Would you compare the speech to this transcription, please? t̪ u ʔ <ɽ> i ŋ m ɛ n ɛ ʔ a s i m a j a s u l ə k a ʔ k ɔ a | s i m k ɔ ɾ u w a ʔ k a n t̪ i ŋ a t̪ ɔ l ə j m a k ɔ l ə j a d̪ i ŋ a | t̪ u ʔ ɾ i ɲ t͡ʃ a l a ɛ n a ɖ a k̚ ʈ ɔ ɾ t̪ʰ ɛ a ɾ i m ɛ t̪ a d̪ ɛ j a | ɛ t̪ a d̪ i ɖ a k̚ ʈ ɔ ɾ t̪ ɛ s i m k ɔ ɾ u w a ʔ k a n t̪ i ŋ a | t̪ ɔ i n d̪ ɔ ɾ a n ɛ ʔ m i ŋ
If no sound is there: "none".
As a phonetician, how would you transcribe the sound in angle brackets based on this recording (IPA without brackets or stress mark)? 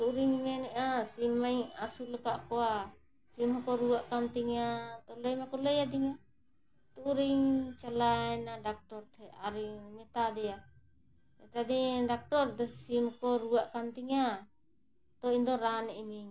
ɾ